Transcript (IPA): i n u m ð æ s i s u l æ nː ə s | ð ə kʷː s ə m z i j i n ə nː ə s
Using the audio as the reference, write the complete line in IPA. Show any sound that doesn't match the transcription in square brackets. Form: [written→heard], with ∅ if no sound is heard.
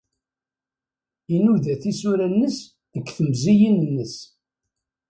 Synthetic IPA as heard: i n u [m→∅] ð æ [s→θ] i s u [l→ɾ] æ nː ə s | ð ə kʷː [s→θ] ə m z i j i n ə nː ə s